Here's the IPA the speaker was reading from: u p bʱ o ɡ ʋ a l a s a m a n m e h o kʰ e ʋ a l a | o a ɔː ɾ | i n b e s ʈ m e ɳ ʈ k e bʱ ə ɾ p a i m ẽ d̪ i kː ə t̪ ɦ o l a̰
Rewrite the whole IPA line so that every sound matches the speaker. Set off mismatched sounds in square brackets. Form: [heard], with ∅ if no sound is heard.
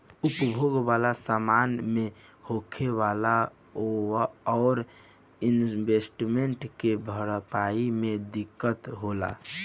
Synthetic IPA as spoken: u p bʱ o ɡ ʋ a l a s a m a n m e h o kʰ e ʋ a l a | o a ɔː ɾ | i n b e s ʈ m e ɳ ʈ k e bʱ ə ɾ p a i m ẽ d̪ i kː ə t̪ ɦ o l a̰